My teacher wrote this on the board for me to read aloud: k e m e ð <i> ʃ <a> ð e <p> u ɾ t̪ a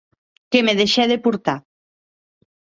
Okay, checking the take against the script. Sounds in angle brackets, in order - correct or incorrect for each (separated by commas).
incorrect, incorrect, correct